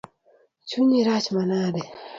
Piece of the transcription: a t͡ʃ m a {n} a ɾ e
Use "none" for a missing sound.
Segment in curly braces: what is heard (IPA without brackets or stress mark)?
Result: n